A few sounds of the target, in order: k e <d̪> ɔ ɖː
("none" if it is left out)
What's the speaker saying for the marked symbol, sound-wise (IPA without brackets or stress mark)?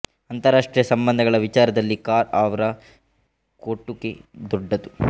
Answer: d̪